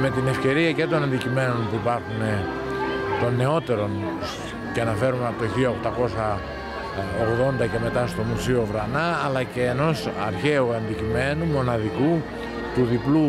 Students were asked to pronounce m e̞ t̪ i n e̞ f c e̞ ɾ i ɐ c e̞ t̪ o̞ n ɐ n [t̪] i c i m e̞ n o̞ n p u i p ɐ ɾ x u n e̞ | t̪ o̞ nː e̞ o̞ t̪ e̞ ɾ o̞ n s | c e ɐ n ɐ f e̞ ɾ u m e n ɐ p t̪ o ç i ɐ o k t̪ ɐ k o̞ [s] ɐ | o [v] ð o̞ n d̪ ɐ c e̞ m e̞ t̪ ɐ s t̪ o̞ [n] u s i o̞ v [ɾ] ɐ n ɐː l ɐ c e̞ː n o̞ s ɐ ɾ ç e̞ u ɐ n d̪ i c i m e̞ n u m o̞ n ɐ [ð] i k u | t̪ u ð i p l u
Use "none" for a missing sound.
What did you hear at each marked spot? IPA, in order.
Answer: d̪, s, ɣ, m, ɾ, ð

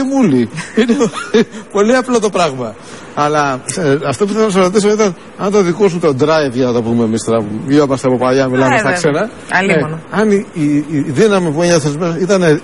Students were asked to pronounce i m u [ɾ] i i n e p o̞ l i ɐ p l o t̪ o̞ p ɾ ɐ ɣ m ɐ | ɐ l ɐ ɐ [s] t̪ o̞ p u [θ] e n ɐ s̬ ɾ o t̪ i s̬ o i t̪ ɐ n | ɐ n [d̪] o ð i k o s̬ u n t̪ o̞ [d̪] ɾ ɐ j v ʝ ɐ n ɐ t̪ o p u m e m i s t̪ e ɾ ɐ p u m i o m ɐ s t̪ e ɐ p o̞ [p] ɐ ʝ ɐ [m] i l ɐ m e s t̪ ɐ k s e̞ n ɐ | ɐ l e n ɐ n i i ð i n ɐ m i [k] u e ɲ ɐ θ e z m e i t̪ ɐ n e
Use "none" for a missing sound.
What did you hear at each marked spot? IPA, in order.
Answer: l, f, θ, t̪, d̪, p, m, p

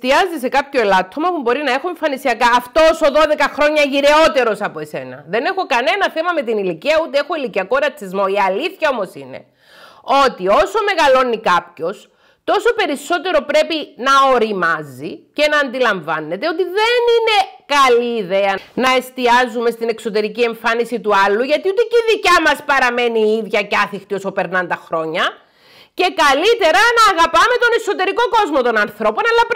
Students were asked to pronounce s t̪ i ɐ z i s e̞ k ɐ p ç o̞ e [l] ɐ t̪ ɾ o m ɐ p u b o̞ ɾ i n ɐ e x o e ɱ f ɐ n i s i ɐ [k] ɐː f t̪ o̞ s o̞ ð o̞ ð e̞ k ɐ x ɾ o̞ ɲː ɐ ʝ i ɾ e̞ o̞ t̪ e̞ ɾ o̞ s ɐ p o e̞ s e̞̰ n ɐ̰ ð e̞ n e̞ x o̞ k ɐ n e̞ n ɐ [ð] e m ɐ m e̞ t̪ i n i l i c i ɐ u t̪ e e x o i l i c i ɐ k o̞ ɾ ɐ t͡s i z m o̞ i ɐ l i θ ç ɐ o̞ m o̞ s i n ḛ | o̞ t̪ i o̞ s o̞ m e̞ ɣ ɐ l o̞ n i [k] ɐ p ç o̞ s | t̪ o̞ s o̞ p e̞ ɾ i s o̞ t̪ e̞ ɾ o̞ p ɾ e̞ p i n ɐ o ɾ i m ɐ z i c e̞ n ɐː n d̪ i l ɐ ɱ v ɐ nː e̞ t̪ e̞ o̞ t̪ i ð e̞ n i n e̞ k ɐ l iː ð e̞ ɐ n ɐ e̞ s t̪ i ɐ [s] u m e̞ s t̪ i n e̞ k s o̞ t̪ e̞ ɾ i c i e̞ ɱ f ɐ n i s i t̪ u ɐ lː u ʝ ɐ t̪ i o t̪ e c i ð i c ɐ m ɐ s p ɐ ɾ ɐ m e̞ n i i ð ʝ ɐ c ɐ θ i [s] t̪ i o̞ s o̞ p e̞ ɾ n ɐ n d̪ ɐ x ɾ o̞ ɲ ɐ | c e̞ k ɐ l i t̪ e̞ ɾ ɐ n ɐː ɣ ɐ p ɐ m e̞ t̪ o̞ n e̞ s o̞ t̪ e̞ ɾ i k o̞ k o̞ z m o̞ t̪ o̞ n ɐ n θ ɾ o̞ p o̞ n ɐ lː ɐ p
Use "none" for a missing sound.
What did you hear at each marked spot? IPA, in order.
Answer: l, k, θ, k, z, x

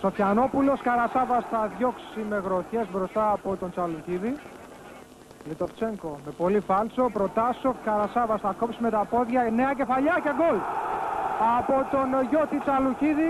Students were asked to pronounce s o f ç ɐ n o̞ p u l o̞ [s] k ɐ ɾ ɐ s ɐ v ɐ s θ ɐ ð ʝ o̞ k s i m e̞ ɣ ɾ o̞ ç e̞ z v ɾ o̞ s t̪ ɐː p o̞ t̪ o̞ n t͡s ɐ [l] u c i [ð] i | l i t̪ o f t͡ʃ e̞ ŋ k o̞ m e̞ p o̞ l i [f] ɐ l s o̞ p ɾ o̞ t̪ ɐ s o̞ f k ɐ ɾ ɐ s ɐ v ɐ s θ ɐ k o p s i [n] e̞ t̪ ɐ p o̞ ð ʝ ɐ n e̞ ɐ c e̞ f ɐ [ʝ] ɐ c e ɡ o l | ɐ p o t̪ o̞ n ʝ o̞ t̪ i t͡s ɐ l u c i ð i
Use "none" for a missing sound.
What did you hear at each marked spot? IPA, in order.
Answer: s, l, ð, f, m, ʎ

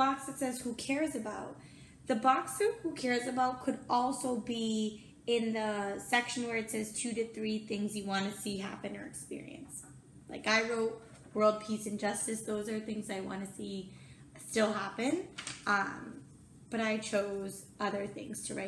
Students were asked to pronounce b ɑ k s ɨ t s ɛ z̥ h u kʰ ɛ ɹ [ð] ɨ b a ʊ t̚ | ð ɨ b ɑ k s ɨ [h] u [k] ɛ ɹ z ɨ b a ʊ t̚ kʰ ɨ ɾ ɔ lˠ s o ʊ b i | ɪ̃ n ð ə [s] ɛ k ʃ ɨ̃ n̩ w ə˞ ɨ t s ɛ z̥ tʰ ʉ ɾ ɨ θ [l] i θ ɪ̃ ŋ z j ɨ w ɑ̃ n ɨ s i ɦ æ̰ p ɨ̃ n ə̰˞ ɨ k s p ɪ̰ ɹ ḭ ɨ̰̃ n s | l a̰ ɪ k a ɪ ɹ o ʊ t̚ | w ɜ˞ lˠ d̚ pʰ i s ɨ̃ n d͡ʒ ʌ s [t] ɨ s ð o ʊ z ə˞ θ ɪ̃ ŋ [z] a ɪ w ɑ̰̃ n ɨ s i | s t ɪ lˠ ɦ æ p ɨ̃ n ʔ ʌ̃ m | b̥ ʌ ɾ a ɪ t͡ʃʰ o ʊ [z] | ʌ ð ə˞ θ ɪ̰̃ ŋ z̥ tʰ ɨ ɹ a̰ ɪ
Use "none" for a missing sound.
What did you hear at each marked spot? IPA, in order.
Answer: z, h, kʰ, s, ɹ, t, z, z

